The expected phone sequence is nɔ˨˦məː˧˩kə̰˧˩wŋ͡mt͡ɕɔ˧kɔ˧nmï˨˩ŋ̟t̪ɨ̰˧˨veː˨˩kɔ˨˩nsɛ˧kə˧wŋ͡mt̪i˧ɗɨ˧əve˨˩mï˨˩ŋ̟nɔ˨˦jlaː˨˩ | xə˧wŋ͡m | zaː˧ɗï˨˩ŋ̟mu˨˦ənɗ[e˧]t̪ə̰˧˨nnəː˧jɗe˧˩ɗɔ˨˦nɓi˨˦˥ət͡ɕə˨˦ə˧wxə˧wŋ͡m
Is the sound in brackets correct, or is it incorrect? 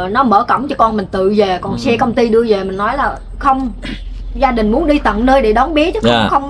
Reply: incorrect